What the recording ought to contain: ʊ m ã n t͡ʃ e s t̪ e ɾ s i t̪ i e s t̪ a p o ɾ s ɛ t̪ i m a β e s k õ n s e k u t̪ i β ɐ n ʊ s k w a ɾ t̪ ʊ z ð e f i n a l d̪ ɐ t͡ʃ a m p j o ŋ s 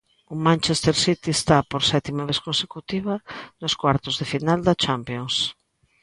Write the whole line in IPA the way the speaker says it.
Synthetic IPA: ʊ m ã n t͡ʃ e s t̪ e ɾ s i t̪ i e s t̪ a p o ɾ s ɛ t̪ i m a β e s k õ n s e k u t̪ i β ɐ n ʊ s k w a ɾ t̪ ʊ z ð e f i n a l d̪ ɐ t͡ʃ a m p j o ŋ s

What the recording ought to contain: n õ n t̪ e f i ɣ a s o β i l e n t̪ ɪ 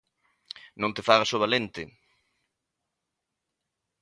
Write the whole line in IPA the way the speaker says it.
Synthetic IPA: n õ n t̪ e f a ɣ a s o β a l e n t̪ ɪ

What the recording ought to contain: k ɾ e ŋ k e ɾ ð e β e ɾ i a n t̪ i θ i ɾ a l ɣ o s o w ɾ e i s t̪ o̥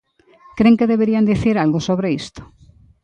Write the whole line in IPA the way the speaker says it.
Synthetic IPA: k ɾ e ŋ k e ð e β e ɾ i a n d̪ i θ i ɾ a l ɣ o s o β ɾ e i s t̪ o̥

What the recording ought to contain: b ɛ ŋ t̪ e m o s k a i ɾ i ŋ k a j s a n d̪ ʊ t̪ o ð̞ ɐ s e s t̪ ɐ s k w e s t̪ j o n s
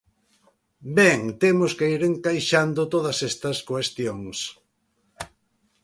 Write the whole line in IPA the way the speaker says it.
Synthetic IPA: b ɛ ŋ t̪ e m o s k e i ɾ e ŋ k a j ʃ a n d̪ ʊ t̪ o ð̞ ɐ s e s t̪ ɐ s k w e s t̪ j o ŋ s

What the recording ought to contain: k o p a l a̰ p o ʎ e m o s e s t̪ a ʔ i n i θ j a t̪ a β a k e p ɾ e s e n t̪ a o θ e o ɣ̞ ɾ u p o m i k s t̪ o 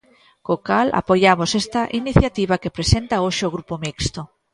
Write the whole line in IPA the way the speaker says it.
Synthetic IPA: k o k a l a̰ p o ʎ a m o s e s t̪ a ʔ i n i θ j a t̪ i β a k e p ɾ e s e n t̪ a o ʃ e o ɣ̞ ɾ u p o m i k s t̪ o

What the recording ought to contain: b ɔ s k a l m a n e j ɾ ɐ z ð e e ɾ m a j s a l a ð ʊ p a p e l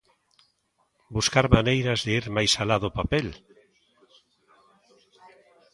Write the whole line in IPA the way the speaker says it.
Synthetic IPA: b u s k a ɾ m a n e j ɾ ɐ z ð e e ɾ m a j s a l a ð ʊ p a p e l

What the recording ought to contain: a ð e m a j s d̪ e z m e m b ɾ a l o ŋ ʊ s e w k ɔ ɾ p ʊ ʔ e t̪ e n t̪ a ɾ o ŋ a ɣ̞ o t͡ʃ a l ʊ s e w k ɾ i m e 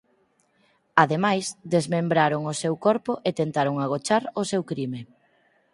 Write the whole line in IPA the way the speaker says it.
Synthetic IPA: a ð e m a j s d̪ e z m e m b ɾ a ɾ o ŋ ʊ s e w k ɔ ɾ p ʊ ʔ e t̪ e n t̪ a ɾ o ŋ a ɣ̞ o t͡ʃ a ɾ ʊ s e w k ɾ i m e

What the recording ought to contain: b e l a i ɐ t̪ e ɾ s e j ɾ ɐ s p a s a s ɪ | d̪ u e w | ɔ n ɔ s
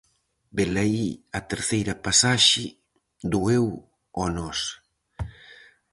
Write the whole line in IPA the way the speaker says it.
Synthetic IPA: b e l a i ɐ t̪ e ɾ θ e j ɾ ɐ p a s a ʃ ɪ | d̪ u e w | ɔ n ɔ s

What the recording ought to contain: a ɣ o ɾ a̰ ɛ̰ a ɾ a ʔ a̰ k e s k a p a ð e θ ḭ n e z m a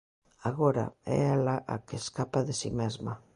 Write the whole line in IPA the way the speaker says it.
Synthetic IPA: a ɣ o ɾ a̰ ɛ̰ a l a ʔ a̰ k e s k a p a ð e s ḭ m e z m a

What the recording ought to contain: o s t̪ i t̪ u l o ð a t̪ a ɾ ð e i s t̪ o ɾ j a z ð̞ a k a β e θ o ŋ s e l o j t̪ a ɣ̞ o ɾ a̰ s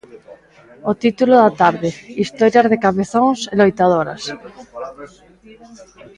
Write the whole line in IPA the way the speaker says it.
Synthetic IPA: o t̪ i t̪ u l o ð a t̪ a ɾ ð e i s t̪ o ɾ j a z ð̞ e k a β e θ o ŋ s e l o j t̪ a ð̞ o ɾ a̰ s

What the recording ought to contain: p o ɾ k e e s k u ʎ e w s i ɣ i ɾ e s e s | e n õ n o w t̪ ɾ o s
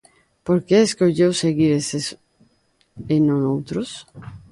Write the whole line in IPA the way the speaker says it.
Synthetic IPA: p o ɾ k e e s k o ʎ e w s e ɣ i ɾ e s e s | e n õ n o w t̪ ɾ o s

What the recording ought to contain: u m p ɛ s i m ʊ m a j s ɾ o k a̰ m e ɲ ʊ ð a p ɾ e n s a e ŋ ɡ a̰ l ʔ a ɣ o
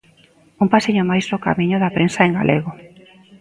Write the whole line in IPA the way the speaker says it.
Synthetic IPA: u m p a s i ɲ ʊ m a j s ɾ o k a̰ m i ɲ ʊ ð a p ɾ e n s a e ŋ ɡ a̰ l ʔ e ɣ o

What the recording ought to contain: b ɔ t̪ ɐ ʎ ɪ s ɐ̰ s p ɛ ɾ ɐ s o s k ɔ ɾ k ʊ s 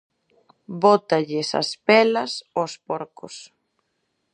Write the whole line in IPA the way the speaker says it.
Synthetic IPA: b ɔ t̪ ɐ ʎ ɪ s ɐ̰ s p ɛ l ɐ s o s p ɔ ɾ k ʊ s

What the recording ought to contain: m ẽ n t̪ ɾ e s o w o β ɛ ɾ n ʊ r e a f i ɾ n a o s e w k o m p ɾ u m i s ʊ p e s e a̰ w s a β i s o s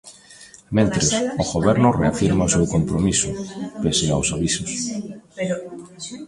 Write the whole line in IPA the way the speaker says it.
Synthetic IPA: m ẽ n t̪ ɾ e s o ɣ o β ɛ ɾ n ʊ r e a f i ɾ m a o s e w k o m p ɾ o m i s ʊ p e s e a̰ w s a β i s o s

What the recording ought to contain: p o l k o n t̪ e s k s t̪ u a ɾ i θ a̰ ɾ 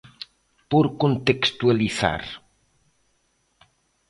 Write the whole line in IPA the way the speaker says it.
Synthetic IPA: p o ɾ k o n t̪ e k s t̪ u a l i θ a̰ ɾ

